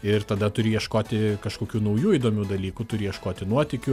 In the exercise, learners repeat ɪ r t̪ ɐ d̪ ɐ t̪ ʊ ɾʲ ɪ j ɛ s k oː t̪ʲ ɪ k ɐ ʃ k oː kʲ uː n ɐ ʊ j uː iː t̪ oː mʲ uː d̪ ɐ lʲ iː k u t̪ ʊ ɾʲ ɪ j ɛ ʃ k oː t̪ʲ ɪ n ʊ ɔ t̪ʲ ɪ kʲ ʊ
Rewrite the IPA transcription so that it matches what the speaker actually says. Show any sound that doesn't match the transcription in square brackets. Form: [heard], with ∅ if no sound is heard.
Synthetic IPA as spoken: ɪ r t̪ ɐ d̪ ɐ t̪ ʊ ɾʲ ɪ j ɛ [ʃ] k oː t̪ʲ ɪ k ɐ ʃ k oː kʲ uː n ɐ ʊ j uː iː [d̪] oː mʲ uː d̪ ɐ lʲ iː k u t̪ ʊ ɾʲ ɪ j ɛ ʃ k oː t̪ʲ ɪ n [u] ɔ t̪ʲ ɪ kʲ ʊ